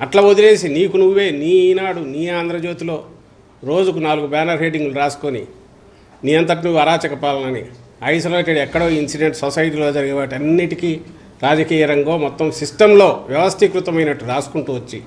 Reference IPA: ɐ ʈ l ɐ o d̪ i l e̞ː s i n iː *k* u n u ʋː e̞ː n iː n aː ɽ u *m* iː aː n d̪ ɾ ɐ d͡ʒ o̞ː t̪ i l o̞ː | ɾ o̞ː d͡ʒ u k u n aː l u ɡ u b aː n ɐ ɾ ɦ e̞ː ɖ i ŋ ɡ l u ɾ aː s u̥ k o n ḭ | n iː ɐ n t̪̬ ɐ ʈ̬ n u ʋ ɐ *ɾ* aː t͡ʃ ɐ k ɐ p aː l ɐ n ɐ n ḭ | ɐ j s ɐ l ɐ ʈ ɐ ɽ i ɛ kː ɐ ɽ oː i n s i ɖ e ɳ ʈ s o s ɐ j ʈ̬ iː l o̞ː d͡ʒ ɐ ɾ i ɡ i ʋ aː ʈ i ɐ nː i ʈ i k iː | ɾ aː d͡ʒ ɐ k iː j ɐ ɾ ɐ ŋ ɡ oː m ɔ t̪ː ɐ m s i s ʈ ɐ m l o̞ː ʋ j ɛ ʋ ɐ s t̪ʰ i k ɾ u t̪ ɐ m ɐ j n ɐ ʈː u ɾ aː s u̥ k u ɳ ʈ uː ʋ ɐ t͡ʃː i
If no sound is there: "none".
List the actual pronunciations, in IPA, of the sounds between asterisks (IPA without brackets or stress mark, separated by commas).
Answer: k, n, ɾ